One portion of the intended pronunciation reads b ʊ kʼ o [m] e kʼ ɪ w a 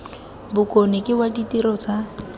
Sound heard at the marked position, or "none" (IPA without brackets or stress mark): n